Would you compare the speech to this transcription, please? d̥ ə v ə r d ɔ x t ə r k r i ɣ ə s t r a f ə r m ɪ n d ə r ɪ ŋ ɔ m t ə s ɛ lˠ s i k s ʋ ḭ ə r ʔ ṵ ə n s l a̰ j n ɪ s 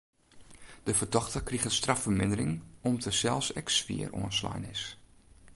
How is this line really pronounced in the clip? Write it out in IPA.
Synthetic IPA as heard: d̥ ə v ə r d ɔ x t ə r k r i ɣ ə s t r a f ə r m ɪ n d ə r ɪ ŋ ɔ m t ə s ɛ lˠ s ɛ k s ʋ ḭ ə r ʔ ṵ ə n s l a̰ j n ɪ s